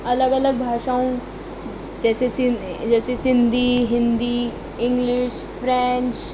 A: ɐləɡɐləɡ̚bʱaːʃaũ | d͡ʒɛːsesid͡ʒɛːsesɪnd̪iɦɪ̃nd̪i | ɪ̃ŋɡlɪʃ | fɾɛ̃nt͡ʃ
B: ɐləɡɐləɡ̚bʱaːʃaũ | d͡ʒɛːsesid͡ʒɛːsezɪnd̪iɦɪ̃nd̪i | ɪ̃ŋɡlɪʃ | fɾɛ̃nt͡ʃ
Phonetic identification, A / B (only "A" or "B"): A